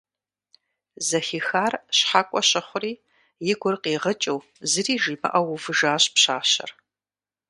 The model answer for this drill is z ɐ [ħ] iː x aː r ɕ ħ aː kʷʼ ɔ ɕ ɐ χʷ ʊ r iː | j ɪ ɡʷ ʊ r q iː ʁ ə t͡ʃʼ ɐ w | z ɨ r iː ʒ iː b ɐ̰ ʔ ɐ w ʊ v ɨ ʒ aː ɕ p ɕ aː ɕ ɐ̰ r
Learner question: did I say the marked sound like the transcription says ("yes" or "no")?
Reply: no